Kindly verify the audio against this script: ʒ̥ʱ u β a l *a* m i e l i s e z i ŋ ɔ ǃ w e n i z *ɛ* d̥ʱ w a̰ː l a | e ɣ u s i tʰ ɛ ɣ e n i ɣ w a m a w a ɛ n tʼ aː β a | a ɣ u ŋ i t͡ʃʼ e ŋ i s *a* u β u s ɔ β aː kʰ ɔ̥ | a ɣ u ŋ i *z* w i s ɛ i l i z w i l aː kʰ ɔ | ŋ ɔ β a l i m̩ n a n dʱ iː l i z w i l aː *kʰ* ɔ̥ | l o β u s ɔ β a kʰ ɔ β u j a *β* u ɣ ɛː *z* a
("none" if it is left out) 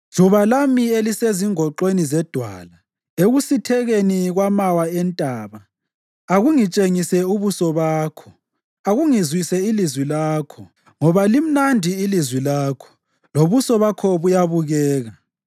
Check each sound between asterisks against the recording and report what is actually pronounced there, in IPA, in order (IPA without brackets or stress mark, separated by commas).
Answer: a, ɛ, ɛ, z, kʰ, β, ɣ